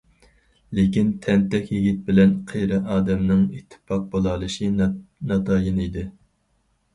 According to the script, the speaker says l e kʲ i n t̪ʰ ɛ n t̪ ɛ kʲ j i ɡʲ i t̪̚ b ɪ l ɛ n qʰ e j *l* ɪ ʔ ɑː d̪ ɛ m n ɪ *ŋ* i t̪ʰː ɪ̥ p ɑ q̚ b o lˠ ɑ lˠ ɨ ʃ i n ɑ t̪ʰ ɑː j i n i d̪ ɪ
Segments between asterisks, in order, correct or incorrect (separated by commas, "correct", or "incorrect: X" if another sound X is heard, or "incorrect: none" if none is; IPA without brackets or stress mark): incorrect: ɾ, correct